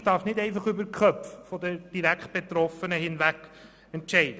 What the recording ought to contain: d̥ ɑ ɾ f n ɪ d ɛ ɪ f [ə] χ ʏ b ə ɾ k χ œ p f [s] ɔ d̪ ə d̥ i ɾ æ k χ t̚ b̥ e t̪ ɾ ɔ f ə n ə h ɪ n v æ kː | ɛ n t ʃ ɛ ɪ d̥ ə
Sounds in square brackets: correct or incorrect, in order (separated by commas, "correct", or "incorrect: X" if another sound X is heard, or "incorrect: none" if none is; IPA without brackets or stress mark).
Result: incorrect: ɑ, incorrect: f